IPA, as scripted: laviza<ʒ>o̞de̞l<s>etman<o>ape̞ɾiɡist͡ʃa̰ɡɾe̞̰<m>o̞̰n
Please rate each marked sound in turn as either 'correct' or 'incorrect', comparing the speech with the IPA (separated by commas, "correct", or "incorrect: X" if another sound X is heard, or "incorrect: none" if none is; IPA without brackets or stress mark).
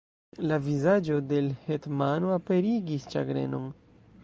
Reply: incorrect: d͡ʒ, incorrect: h, correct, incorrect: n